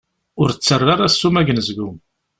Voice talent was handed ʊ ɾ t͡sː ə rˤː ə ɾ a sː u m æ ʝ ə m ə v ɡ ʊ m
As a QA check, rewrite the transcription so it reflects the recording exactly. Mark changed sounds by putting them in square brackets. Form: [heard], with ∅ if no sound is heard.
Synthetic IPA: ʊ ɾ t͡sː ə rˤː [a] ɾ a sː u m æ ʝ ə [n] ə [z] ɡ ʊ m